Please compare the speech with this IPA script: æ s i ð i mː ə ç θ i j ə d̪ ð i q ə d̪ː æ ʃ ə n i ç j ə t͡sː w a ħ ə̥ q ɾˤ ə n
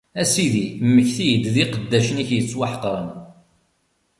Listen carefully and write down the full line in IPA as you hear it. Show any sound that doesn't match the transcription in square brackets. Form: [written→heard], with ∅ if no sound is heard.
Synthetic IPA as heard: æ s i ð i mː ə ç θ i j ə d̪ ð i q ə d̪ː æ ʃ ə n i ç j ə t͡sː w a ħ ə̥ q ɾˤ ə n